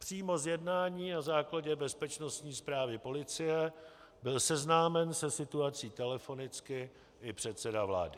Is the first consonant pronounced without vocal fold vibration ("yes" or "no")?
yes